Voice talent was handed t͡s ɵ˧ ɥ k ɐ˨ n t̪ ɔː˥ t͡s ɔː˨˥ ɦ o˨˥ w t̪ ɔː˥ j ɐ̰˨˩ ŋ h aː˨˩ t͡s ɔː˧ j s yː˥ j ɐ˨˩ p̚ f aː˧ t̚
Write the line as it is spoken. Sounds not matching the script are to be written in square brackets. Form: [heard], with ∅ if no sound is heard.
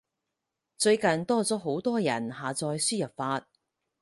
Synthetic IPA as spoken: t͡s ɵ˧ ɥ k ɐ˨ n t̪ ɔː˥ t͡s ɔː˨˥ ɦ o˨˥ w t̪ ɔː˥ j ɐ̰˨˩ [n] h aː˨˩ t͡s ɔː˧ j s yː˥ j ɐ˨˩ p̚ f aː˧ t̚